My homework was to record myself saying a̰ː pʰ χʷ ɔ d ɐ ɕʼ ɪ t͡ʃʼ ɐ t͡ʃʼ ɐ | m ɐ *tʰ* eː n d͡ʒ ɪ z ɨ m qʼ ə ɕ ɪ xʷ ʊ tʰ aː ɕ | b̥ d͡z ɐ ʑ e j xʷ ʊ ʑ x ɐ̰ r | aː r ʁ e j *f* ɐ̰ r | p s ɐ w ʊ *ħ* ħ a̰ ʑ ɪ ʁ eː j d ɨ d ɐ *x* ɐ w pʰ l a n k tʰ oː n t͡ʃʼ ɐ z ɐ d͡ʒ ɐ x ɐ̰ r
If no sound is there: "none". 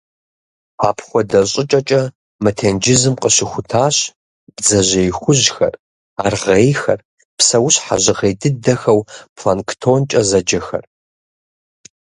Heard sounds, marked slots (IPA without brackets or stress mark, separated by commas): tʰ, x, ɕ, x